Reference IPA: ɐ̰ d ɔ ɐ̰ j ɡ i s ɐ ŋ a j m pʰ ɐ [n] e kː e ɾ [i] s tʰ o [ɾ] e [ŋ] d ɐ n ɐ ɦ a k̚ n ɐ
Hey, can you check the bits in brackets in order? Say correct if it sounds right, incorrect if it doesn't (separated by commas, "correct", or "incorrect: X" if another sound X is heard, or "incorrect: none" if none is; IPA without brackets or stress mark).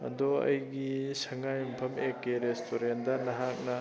incorrect: m, incorrect: e, correct, incorrect: n